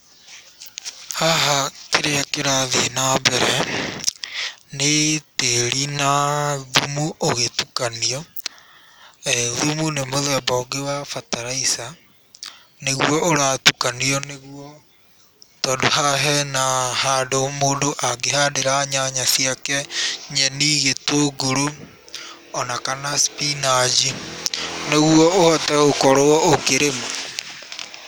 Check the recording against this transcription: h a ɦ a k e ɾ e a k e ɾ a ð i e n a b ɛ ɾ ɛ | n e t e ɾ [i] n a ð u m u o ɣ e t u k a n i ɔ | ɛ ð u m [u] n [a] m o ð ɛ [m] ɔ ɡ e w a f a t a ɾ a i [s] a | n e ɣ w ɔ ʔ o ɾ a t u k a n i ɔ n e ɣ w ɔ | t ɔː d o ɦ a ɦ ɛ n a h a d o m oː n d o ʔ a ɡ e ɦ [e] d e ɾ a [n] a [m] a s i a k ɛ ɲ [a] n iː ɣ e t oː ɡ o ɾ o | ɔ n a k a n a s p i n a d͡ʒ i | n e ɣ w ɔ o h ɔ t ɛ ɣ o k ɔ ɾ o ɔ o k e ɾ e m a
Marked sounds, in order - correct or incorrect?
correct, correct, incorrect, incorrect, correct, incorrect, incorrect, incorrect, incorrect

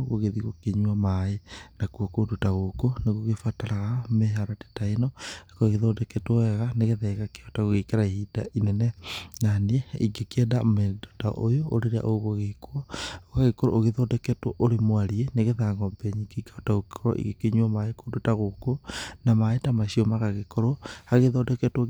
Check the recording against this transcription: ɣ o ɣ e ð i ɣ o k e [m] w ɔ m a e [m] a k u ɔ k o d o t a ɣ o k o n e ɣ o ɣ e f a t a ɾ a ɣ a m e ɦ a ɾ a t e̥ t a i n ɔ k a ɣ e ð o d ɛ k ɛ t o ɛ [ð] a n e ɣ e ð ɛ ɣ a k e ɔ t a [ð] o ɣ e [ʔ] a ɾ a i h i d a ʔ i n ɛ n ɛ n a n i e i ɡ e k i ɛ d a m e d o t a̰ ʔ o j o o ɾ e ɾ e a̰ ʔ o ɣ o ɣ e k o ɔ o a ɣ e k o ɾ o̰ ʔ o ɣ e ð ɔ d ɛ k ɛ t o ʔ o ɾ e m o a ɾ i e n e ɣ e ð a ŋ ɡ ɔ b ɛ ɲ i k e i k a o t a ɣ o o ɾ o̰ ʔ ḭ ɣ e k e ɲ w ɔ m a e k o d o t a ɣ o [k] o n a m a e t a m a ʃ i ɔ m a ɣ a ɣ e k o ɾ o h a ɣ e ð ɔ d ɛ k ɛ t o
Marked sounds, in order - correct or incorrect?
incorrect, incorrect, incorrect, incorrect, incorrect, correct

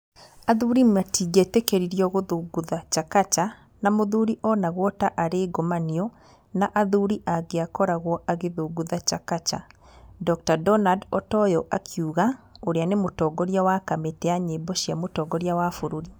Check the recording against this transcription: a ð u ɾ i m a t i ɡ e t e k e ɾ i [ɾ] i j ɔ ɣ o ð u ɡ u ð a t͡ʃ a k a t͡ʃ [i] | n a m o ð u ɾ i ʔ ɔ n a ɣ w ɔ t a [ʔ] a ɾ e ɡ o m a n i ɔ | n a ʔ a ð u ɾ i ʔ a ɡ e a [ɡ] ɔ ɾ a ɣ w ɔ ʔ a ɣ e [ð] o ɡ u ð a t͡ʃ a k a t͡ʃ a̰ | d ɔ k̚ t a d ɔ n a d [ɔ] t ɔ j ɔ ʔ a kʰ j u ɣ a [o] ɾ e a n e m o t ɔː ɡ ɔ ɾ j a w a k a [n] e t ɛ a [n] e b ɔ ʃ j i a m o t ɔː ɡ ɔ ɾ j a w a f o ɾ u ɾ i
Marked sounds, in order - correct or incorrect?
correct, incorrect, correct, incorrect, correct, correct, correct, incorrect, incorrect

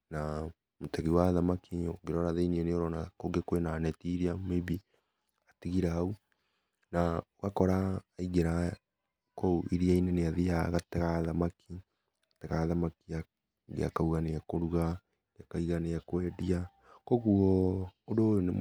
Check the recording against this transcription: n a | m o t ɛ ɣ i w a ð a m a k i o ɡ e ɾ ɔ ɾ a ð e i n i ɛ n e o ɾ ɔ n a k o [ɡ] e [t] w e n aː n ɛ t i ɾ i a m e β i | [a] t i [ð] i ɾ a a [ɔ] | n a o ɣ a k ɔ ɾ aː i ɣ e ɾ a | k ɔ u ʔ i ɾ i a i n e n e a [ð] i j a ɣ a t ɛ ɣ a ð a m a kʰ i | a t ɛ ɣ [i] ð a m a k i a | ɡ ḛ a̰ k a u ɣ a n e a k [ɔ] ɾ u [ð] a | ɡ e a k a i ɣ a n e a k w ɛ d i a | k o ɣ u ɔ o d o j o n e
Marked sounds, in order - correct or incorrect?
correct, incorrect, correct, incorrect, incorrect, correct, incorrect, incorrect, incorrect

